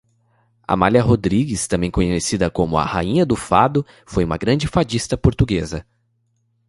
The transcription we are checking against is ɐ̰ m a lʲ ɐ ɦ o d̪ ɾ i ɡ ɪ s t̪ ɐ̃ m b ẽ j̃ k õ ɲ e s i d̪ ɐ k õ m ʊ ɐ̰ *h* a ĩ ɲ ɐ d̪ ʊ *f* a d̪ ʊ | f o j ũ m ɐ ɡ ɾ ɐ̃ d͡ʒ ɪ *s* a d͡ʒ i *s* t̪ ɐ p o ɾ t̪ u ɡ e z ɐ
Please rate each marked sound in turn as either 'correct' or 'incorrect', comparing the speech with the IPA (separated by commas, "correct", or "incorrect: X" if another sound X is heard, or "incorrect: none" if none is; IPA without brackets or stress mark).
correct, correct, incorrect: f, correct